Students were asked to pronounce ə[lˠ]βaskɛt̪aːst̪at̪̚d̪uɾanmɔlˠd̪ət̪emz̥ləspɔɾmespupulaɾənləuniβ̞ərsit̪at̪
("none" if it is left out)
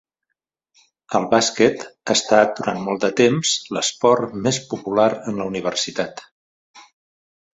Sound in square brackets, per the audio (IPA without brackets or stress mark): lˠ